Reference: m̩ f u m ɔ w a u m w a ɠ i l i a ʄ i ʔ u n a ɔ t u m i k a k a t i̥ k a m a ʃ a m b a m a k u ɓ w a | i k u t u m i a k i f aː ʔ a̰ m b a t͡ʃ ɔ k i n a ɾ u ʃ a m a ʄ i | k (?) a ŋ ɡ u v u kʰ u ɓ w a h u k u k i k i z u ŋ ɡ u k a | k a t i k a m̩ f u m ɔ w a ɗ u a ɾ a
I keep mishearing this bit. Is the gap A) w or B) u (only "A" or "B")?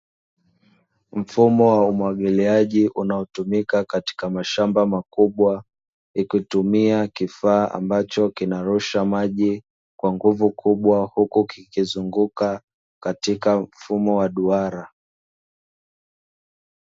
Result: A